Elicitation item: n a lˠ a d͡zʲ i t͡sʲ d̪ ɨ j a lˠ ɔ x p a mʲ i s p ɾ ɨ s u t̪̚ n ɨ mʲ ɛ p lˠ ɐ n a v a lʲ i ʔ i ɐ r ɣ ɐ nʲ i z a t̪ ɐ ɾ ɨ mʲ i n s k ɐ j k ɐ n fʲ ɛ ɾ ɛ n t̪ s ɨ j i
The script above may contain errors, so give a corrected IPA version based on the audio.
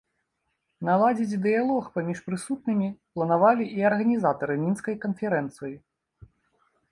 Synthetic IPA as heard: n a lˠ a d͡zʲ i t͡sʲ d̪ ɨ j a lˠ ɔ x p a mʲ i ʂ p ɾ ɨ s u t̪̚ n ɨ mʲ i p lˠ ɐ n a v a lʲ i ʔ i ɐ r ɣ ɐ nʲ i z a t̪ ɐ ɾ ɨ mʲ i n s k ɐ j k ɐ n fʲ ɛ ɾ ɛ n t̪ s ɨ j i